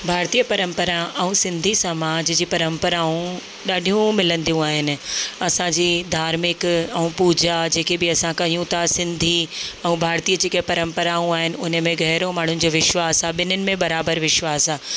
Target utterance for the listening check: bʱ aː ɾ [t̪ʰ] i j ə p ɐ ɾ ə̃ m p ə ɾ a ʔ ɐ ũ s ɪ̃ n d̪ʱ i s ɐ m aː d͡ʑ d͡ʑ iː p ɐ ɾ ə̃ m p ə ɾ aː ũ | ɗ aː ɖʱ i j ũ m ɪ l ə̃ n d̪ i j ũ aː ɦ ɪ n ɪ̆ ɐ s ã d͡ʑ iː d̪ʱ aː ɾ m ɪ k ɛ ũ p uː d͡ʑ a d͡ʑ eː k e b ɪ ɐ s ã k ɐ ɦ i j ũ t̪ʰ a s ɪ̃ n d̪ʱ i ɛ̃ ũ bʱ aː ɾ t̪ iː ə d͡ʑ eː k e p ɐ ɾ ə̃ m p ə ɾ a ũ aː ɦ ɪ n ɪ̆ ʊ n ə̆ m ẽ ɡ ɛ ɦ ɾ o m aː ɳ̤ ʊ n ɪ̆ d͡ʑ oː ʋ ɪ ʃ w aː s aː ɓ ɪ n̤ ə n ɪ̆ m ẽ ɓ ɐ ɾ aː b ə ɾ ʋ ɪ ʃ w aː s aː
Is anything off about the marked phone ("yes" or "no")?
yes